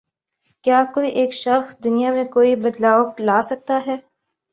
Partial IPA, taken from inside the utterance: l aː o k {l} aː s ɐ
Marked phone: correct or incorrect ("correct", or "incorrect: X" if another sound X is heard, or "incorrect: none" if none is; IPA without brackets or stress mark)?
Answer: correct